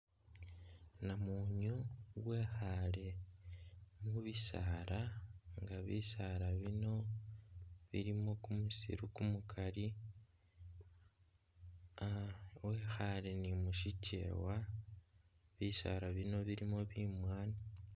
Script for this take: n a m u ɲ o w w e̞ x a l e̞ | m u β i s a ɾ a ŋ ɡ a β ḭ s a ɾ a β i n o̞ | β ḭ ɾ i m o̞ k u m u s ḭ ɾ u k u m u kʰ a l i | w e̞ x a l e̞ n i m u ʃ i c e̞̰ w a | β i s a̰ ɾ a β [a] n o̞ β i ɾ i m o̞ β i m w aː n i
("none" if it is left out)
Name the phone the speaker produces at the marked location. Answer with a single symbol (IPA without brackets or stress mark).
i